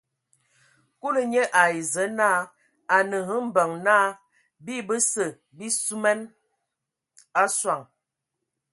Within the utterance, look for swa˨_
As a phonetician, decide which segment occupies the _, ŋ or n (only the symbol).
ŋ